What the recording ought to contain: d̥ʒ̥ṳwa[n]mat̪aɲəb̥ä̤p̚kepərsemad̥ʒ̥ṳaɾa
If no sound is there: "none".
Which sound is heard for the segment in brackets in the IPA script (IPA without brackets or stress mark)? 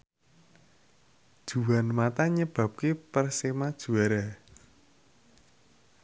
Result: n